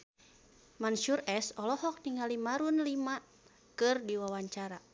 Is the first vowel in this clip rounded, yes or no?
no